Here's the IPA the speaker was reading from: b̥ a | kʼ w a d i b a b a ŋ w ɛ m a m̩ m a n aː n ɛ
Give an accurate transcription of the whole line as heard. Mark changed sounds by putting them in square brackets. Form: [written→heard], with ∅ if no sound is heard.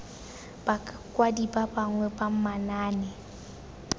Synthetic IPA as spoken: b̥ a | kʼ w a d i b a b a ŋ w ɛ [m→b] a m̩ m a n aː n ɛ